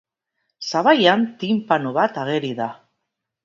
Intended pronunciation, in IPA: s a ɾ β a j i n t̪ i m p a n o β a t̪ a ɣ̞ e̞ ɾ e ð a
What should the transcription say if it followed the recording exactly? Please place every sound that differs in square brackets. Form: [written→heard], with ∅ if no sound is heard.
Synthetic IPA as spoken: s a [ɾ→∅] β a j [i→a] n t̪ i m p a n o β a t̪ a ɣ̞ e̞ ɾ [e→i] ð a